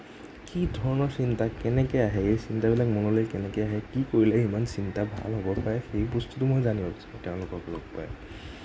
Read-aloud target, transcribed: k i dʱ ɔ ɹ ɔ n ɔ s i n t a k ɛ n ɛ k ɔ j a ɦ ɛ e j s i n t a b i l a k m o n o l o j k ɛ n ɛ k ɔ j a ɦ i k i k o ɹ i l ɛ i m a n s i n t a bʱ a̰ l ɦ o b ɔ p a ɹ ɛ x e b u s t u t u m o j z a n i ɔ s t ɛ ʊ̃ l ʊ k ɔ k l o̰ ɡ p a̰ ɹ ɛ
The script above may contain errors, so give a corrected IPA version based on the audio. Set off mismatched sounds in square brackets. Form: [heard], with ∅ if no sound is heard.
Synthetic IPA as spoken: k i dʱ ɔ ɹ ɔ n ɔ s i n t a k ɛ n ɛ k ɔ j a ɦ ɛ e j s i n t a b i l a k m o n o l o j k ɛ n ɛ k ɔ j a ɦ [ɛ] k i k o ɹ i l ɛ i m a n s i n t a bʱ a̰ l ɦ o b ɔ p a ɹ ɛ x e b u s t u t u m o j z a n i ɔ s t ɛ ʊ̃ l ʊ k ɔ k l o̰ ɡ p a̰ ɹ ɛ